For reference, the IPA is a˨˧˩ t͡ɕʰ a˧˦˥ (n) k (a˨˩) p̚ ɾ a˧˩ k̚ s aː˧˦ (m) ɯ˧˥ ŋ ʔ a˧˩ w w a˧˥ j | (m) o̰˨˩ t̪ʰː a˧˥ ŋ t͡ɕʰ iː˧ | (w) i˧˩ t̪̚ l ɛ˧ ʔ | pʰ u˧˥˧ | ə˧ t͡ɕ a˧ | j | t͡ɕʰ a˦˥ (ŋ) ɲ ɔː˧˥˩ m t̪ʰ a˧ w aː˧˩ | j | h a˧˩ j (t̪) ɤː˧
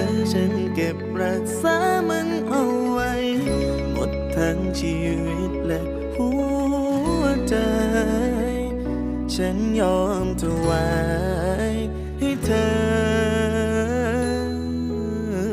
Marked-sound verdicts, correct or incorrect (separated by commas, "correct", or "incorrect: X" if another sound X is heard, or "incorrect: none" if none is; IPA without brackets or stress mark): correct, incorrect: e˨˩, correct, correct, correct, incorrect: n, incorrect: t̪ʰ